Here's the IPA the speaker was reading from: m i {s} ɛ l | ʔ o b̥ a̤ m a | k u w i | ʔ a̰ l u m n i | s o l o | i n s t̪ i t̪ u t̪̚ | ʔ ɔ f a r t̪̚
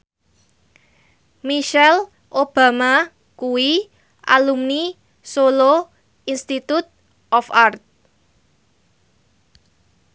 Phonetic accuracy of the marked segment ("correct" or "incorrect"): incorrect